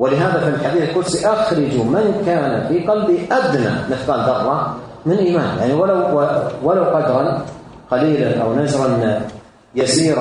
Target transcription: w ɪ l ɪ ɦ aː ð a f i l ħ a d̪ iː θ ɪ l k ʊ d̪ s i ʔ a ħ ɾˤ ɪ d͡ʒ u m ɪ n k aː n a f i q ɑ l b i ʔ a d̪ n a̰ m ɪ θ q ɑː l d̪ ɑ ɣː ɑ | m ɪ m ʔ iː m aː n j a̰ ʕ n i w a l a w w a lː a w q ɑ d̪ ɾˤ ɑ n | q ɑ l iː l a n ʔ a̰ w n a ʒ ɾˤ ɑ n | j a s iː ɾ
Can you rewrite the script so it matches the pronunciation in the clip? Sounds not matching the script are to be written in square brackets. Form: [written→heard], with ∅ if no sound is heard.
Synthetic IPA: w ɪ l ɪ ɦ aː ð a f i l ħ a d̪ iː θ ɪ l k ʊ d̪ s i ʔ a [ħ→x] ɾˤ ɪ d͡ʒ u m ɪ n k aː n a f i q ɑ l b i ʔ a d̪ n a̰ m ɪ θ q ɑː l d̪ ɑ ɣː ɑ | m ɪ [m→n] ʔ iː m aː n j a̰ ʕ n i w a l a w w a [lː→l] a w q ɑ d̪ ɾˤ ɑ n | q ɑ l iː l a n ʔ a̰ w n a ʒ ɾˤ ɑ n | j a s iː ɾ